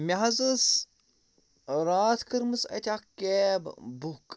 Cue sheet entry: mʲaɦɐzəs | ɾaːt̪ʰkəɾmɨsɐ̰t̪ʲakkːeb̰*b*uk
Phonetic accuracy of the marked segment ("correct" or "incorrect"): correct